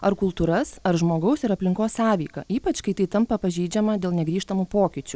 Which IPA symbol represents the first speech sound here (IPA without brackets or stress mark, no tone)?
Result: ɐ